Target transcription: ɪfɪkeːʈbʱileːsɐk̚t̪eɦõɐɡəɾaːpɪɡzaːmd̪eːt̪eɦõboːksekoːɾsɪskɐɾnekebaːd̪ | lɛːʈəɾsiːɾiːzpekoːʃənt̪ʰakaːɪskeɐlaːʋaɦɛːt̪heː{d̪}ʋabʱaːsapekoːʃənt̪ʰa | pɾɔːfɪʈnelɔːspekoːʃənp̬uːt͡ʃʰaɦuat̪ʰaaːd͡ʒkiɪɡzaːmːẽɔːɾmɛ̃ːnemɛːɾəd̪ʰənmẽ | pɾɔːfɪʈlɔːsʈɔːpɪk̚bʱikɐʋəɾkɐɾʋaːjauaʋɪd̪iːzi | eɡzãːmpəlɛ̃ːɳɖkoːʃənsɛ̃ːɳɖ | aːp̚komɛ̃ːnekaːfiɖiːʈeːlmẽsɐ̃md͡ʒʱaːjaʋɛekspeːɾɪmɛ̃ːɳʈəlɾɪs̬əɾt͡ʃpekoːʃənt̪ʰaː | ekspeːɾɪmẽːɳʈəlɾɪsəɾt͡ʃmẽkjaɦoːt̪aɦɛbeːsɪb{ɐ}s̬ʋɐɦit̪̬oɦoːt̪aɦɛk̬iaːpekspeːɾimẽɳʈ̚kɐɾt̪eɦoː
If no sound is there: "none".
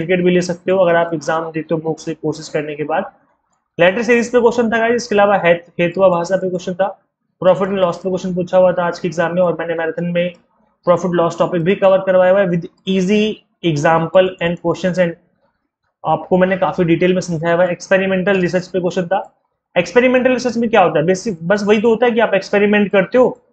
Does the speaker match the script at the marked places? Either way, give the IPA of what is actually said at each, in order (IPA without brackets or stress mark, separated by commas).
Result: t̪, ɐ